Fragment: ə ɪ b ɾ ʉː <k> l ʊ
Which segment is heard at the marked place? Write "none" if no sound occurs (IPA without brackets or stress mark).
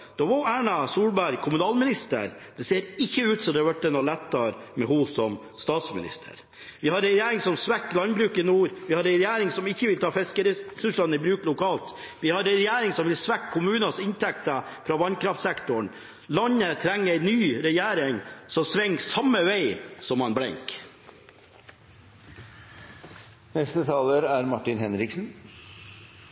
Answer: k